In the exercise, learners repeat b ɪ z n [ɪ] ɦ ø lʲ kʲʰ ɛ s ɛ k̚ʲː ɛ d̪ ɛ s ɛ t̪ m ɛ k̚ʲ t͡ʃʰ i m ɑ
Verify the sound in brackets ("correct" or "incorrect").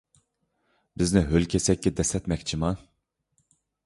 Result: correct